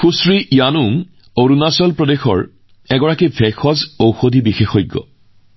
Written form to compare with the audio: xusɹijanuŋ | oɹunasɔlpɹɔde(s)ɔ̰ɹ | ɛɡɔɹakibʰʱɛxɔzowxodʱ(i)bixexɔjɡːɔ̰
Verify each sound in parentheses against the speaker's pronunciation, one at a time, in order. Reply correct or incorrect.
incorrect, correct

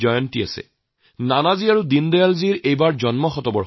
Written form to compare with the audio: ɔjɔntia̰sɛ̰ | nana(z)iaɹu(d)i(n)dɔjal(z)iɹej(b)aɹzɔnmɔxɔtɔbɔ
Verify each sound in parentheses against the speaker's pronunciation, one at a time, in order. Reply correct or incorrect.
correct, correct, correct, correct, correct

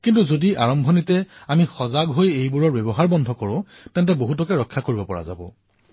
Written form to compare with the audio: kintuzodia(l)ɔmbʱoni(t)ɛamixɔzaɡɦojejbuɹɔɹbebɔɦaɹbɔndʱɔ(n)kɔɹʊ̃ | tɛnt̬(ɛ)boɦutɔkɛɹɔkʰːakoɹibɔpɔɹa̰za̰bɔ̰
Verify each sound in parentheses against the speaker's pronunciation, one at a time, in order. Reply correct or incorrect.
incorrect, correct, incorrect, correct

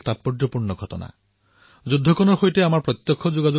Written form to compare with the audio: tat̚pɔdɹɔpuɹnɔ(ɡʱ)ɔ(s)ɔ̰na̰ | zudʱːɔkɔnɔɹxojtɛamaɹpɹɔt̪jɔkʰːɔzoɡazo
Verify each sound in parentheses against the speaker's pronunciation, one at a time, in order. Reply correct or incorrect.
correct, incorrect

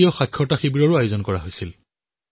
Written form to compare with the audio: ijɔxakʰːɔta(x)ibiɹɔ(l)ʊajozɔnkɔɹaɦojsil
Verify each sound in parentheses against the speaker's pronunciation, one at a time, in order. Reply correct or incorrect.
correct, incorrect

